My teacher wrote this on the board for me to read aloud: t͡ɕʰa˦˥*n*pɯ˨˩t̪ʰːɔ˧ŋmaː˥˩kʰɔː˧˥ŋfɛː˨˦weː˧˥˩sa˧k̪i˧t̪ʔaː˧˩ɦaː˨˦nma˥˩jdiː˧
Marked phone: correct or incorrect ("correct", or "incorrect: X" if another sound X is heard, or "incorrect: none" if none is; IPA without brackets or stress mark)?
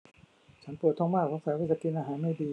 correct